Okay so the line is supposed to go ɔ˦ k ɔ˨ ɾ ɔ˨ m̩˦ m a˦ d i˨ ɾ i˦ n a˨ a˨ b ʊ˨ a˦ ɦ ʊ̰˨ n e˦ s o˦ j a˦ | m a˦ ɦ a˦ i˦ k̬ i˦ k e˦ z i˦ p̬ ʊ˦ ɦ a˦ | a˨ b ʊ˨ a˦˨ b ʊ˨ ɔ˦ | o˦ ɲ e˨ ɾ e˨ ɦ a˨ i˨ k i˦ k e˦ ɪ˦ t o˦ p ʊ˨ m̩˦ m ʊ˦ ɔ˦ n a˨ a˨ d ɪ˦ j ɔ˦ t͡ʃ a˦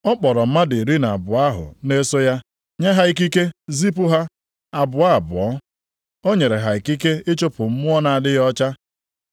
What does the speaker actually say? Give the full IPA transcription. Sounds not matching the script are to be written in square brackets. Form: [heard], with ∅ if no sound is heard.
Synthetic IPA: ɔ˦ [k͡p] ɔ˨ ɾ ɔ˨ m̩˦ m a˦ d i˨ ɾ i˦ n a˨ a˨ b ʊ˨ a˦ ɦ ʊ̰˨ n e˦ s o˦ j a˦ | [ɲ] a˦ ɦ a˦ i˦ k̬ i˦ k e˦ z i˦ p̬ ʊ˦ ɦ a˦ | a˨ b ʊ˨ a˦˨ b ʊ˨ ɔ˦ | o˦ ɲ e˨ ɾ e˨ ɦ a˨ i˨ k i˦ k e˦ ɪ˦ [t͡ʃ] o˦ p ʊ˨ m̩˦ m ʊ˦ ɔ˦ n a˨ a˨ d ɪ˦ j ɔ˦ t͡ʃ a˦

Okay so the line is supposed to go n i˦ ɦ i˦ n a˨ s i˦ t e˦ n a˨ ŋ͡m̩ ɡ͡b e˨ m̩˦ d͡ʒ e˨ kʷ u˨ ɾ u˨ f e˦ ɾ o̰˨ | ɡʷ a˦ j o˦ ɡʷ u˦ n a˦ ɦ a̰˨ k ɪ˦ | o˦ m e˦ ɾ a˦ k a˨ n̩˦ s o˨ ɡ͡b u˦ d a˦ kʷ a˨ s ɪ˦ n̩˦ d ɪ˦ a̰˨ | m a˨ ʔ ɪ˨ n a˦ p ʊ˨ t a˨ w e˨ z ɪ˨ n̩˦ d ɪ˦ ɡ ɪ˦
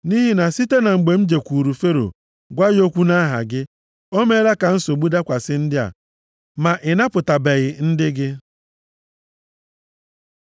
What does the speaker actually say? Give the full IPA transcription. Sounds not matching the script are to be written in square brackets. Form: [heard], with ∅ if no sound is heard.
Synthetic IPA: n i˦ ɦ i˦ n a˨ s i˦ t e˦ n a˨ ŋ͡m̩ ɡ͡b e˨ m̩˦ d͡ʒ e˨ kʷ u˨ ɾ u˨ f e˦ ɾ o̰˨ | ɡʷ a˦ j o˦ [kʷ] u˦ n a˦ ɦ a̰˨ [ɡ] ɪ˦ | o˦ m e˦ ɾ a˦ k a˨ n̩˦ s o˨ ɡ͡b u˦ d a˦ kʷ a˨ s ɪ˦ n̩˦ d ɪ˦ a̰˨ | m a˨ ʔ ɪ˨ n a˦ p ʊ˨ t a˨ [b] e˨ [ɣ] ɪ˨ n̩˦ d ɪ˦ ɡ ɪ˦

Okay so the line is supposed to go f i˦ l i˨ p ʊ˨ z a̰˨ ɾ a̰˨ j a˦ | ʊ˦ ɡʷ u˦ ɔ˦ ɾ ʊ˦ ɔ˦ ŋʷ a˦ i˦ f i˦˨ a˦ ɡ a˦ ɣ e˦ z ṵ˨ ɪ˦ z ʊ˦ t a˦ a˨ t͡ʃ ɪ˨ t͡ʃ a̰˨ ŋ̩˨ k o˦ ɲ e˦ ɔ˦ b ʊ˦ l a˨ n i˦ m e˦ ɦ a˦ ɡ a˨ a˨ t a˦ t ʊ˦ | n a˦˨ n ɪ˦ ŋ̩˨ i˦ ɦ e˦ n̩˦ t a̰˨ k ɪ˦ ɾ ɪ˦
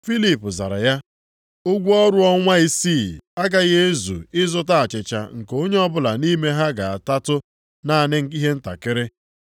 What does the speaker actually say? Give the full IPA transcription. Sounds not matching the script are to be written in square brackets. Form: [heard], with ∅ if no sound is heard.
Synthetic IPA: f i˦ l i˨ p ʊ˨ z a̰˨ ɾ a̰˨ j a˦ | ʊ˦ ɡʷ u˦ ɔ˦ ɾ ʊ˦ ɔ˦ ŋʷ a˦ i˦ [s] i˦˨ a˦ ɡ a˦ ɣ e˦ z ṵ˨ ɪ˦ z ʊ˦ t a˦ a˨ t͡ʃ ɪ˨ t͡ʃ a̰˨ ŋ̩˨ k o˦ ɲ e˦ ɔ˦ b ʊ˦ l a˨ n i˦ m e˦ ɦ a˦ ɡ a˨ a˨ t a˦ t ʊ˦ | n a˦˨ n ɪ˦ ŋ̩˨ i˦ ɦ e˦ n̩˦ t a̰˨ k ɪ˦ ɾ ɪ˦

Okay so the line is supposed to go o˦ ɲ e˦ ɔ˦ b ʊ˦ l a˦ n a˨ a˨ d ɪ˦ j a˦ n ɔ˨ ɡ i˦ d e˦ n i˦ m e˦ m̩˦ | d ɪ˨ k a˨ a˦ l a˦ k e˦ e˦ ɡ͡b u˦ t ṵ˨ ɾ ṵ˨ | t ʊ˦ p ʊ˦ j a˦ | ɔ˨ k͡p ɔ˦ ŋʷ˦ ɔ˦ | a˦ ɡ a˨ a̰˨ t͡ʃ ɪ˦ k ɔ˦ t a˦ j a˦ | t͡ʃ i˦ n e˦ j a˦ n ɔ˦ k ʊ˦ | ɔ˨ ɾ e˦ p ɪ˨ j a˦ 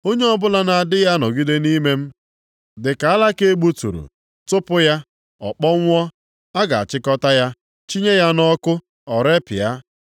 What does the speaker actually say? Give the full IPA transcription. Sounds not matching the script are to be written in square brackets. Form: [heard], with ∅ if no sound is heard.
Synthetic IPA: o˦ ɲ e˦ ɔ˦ b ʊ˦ l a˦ n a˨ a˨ d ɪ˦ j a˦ n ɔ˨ ɡ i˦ d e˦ n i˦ m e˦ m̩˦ | d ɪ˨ k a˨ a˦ l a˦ k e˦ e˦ ɡ͡b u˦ t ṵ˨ ɾ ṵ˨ | t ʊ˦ p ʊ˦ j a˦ | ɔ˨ k͡p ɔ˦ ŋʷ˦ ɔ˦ | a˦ ɡ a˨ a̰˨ t͡ʃ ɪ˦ k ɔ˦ t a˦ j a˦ | t͡ʃ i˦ [ɲ] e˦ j a˦ n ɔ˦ k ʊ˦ | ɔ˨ ɾ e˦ p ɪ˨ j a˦

